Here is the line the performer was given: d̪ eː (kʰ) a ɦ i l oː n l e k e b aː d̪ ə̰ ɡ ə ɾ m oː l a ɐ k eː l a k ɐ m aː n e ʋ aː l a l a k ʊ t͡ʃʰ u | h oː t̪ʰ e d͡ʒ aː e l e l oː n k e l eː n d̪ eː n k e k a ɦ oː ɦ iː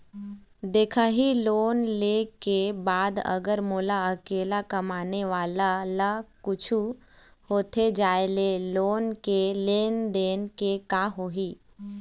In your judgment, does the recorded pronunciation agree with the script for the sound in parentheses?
yes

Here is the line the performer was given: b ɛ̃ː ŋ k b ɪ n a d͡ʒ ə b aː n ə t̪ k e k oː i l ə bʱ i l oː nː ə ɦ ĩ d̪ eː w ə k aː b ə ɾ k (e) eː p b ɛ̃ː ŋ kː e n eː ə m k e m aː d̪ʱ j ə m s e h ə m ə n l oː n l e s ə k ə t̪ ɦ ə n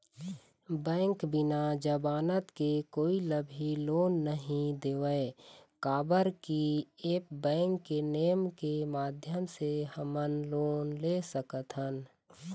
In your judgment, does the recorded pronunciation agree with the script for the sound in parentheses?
no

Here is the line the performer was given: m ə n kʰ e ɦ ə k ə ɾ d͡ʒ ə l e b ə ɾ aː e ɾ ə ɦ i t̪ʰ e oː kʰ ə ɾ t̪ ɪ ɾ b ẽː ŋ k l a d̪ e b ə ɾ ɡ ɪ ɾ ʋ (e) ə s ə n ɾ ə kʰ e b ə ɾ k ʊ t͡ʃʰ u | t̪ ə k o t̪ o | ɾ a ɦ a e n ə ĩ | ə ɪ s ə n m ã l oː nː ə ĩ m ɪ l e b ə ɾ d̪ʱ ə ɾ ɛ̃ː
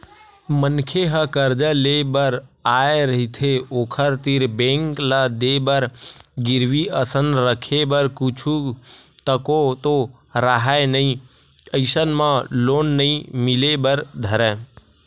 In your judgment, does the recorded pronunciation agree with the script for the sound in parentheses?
no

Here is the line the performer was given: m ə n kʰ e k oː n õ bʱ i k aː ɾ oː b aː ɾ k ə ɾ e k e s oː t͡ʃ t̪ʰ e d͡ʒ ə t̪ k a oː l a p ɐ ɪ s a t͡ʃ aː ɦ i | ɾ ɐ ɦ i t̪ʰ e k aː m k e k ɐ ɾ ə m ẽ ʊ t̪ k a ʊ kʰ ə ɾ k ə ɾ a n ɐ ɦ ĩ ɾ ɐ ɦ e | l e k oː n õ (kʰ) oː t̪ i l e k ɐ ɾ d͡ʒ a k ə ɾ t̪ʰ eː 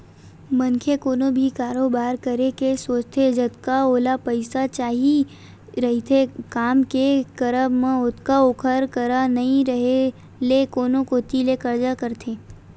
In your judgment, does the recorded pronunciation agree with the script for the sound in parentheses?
no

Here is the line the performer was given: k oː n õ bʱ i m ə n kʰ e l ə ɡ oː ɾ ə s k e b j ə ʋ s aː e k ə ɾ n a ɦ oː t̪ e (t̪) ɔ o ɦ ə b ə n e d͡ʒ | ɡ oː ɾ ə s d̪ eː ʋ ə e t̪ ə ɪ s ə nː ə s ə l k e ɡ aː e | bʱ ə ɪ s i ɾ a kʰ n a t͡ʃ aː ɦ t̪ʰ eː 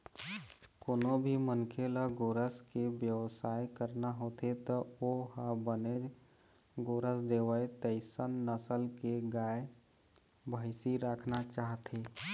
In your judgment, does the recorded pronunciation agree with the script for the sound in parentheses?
yes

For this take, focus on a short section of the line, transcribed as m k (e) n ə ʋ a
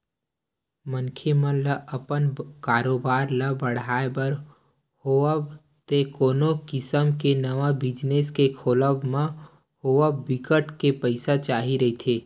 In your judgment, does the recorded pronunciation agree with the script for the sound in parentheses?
yes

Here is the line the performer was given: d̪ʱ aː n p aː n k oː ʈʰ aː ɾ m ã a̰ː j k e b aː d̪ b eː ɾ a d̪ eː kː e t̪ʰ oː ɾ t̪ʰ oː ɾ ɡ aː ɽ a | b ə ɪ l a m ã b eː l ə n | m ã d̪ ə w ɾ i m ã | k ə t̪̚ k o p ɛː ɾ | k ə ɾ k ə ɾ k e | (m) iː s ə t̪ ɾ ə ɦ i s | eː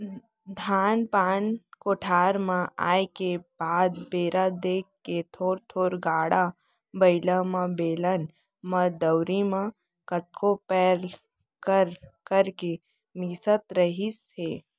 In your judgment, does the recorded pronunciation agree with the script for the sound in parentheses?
yes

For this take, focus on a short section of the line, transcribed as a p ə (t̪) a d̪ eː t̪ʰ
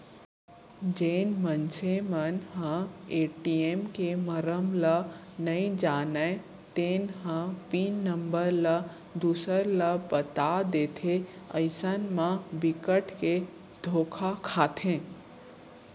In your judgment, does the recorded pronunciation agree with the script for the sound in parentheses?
yes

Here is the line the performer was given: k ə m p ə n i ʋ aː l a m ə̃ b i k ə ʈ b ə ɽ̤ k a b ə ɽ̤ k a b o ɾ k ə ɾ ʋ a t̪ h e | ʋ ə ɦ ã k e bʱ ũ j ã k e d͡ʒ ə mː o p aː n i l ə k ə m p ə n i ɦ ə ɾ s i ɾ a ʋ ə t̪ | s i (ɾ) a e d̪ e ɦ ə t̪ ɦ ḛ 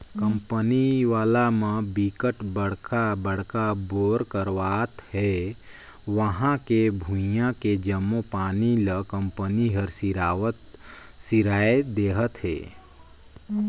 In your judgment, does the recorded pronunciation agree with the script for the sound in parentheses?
yes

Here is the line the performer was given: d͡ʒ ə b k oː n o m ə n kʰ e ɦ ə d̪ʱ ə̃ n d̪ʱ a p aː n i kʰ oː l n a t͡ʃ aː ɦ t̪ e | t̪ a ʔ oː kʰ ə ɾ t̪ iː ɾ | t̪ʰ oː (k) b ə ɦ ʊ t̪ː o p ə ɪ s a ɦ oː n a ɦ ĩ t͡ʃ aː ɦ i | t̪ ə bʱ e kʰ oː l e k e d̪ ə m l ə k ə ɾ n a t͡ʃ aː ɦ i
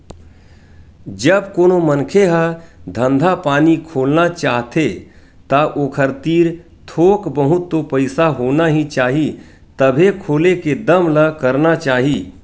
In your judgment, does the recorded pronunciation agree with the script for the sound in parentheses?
yes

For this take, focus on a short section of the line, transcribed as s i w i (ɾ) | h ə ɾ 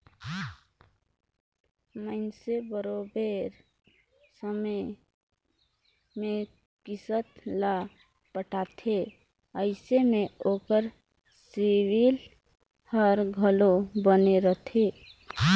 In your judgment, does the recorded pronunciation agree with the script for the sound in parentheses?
no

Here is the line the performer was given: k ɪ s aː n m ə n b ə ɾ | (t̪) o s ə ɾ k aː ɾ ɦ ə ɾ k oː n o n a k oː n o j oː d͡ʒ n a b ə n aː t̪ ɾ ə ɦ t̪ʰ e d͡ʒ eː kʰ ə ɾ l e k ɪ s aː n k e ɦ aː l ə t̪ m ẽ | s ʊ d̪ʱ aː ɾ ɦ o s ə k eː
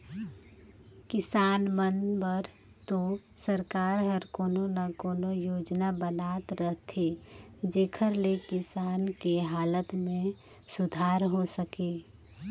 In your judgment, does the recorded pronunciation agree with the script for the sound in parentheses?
yes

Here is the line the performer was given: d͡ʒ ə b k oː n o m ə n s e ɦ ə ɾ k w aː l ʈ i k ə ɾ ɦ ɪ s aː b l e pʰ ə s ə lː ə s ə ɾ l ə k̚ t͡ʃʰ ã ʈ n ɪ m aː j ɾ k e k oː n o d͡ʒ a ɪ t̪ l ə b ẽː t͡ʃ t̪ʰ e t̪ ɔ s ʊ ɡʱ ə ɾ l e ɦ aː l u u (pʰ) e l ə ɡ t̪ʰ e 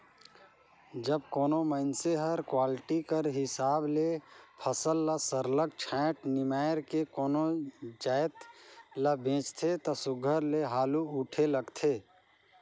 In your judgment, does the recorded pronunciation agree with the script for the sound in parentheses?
no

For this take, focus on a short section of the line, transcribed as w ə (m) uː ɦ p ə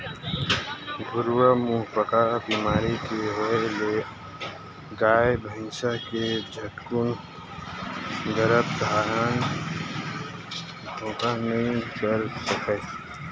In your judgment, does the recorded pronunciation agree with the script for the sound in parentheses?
yes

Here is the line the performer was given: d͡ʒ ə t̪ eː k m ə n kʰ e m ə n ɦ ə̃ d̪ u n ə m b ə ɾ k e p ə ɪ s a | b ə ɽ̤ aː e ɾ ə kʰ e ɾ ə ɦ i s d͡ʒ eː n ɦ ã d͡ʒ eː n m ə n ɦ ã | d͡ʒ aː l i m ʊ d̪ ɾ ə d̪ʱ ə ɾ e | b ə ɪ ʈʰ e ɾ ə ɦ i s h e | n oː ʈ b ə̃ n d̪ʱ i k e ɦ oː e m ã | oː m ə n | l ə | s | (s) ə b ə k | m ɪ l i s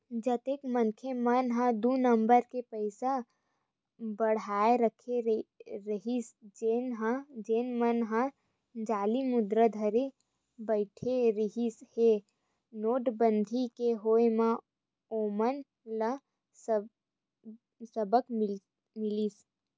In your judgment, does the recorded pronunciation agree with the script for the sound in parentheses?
yes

